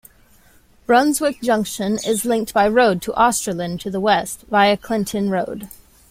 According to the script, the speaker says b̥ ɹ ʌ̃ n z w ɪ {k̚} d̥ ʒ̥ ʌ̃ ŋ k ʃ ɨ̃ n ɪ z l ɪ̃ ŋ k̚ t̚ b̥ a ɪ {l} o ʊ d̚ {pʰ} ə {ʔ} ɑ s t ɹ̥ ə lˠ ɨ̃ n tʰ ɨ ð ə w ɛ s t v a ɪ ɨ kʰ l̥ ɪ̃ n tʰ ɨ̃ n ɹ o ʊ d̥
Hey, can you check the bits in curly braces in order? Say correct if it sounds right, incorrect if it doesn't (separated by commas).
correct, incorrect, incorrect, correct